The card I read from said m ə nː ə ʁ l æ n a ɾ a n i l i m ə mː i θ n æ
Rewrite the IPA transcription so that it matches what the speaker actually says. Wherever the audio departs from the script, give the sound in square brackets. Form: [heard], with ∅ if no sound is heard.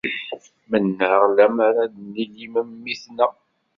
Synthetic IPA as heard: m ə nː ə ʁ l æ [m] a ɾ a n i l i m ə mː i θ n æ